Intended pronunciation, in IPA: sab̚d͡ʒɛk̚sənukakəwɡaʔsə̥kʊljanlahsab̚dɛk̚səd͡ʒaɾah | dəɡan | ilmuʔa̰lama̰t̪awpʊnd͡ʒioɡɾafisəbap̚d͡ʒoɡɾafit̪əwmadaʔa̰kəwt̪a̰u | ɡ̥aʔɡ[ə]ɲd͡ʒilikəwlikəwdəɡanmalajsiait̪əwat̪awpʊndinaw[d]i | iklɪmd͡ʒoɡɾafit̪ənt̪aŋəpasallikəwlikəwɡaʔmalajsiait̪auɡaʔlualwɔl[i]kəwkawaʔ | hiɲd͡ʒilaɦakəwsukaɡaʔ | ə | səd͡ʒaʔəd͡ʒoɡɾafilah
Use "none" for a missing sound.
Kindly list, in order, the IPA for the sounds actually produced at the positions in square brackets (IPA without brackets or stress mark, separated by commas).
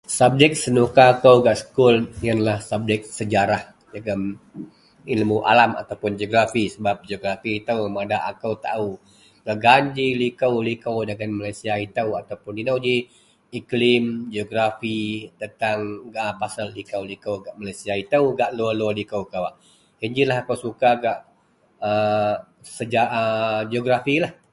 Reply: a, d͡ʒ, i